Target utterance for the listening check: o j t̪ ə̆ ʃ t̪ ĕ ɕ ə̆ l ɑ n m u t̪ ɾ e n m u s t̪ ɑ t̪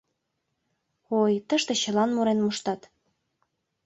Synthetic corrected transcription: o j t̪ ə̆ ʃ t̪ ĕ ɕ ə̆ l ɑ n m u ɾ e n m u ʃ t̪ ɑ t̪